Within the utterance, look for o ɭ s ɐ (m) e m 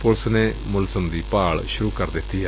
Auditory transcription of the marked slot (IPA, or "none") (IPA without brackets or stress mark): n